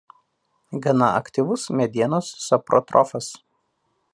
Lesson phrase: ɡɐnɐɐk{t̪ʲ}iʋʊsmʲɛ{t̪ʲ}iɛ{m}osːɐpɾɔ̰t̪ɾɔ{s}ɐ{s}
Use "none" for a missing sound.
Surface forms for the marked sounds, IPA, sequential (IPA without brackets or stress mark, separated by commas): t̪ʲ, d̪ʲ, n, f, s